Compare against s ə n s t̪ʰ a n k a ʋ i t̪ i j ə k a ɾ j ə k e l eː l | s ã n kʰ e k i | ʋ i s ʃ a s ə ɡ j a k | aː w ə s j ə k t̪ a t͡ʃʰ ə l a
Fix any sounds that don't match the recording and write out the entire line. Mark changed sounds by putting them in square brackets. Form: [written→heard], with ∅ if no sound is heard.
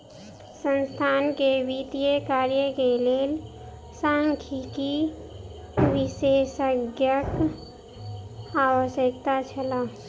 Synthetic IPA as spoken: s ə n s t̪ʰ a n k [a→e] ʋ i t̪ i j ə k a ɾ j ə k e l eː l | s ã [n→ŋ] kʰ [e→i] k i | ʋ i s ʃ [a→e] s ə ɡ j [a→ə] k | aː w ə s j ə k t̪ a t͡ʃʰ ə l a